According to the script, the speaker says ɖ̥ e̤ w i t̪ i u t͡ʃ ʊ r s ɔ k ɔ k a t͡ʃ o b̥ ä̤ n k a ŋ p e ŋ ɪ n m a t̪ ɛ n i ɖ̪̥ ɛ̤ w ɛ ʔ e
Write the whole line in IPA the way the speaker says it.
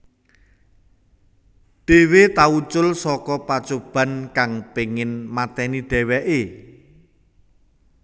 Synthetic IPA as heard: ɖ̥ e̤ w e t̪ a u t͡ʃ ʊ l s ɔ k ɔ p a t͡ʃ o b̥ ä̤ n k a ŋ p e ŋ ɪ n m a t̪ ɛ n i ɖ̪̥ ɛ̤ w ɛ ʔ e